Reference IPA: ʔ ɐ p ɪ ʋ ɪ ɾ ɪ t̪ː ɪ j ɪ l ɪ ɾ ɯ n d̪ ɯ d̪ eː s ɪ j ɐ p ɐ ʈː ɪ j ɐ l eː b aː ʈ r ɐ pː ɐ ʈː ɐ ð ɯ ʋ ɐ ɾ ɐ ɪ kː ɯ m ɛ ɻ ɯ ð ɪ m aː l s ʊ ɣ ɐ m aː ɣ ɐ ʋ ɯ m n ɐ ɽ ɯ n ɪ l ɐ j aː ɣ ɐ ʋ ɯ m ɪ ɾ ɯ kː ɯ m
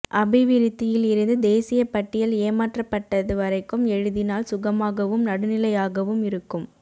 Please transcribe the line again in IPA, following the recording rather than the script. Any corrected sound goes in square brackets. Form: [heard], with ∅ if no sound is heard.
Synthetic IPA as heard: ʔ ɐ [b] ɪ ʋ ɪ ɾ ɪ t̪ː ɪ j ɪ l ɪ ɾ ɯ n d̪ ɯ d̪ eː s ɪ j ɐ p ɐ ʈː ɪ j ɐ l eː [m] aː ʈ r ɐ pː ɐ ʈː ɐ ð ɯ ʋ ɐ ɾ ɐ ɪ kː ɯ m ɛ ɻ ɯ ð ɪ [n] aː l s ʊ ɣ ɐ m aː ɣ ɐ ʋ ɯ m n ɐ ɽ ɯ n ɪ l ɐ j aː ɣ ɐ ʋ ɯ m ɪ ɾ ɯ kː ɯ m